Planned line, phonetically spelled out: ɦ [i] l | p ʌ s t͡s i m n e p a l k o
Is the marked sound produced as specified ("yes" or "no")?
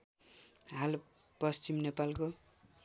no